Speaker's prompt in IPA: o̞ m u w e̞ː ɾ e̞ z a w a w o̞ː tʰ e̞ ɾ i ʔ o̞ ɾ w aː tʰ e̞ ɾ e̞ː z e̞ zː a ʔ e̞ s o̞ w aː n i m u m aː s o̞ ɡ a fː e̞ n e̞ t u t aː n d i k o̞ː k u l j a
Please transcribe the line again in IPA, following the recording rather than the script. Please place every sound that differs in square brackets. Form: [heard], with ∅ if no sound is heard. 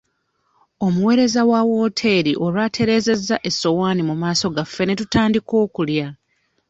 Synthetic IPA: o̞ m u w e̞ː ɾ e̞ z a w a w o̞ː tʰ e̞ ɾ i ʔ o̞ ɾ w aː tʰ e̞ ɾ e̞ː z e̞ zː a ʔ e̞ s o̞ w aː n i m u m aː s o̞ ɡ a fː e̞ n e̞ t u t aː n d i k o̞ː k u l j a